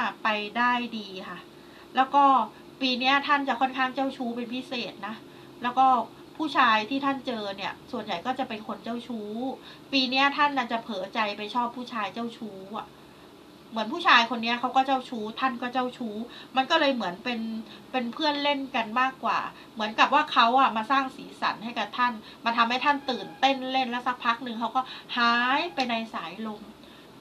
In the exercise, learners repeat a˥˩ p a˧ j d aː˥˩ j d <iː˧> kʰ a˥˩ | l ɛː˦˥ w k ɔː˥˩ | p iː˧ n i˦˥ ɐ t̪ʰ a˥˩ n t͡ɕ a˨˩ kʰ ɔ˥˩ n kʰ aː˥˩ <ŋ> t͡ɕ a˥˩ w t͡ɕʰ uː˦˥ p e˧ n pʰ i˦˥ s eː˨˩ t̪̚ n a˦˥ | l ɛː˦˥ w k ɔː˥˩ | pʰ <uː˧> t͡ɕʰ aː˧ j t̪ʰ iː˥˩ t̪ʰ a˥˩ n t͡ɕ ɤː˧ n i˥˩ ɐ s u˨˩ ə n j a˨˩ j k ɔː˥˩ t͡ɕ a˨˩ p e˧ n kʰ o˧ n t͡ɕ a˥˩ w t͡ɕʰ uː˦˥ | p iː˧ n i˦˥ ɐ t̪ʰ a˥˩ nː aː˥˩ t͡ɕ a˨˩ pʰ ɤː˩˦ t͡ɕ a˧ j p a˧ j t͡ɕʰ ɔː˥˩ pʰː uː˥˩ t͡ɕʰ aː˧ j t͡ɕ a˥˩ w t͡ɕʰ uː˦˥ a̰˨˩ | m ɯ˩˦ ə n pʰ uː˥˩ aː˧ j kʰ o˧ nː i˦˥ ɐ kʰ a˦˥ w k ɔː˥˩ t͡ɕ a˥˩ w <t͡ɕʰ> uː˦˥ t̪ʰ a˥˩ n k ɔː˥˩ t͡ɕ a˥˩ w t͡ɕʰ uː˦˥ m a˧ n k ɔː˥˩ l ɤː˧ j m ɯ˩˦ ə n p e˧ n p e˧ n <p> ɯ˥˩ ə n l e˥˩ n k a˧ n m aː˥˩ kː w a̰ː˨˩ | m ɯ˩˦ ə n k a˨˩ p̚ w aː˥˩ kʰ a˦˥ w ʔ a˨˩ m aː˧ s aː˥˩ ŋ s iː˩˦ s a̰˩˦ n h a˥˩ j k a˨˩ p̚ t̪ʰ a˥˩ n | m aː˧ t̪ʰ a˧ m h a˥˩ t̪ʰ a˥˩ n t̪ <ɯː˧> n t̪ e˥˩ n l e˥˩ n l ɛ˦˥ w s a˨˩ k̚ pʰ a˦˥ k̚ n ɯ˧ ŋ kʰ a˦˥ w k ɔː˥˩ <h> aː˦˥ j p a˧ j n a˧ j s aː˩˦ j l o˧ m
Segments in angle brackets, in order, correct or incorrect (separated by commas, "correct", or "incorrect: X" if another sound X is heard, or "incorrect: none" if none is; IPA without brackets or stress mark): correct, correct, incorrect: uː˥˩, correct, incorrect: pʰ, incorrect: ɯː˨˩, correct